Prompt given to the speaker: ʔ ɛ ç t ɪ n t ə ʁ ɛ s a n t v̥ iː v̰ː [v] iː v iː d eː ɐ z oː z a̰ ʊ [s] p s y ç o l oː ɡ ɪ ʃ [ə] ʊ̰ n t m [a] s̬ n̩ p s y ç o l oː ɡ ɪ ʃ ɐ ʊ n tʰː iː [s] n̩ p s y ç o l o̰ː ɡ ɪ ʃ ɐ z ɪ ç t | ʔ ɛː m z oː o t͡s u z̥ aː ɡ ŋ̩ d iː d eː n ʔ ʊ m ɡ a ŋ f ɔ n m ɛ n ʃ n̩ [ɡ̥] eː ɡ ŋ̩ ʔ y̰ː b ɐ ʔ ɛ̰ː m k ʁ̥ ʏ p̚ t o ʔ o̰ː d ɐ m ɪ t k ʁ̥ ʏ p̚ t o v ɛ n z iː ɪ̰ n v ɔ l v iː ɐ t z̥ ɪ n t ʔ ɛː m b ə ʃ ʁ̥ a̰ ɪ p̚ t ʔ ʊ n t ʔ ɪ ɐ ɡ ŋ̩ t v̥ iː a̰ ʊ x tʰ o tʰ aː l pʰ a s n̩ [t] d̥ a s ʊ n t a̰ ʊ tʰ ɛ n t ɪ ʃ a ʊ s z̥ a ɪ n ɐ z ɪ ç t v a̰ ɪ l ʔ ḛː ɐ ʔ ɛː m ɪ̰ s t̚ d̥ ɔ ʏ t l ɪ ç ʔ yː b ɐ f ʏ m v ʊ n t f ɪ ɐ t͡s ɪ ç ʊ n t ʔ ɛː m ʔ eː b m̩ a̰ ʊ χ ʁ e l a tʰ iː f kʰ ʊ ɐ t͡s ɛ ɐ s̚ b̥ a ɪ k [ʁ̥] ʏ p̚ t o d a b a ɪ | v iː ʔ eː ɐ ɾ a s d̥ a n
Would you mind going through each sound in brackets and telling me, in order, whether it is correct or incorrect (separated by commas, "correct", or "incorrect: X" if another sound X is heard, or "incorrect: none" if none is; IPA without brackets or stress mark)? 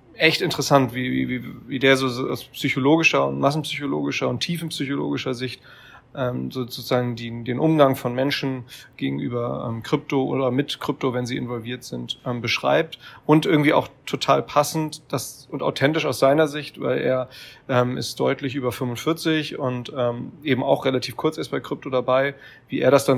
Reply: correct, correct, incorrect: ɐ, correct, incorrect: f, correct, correct, correct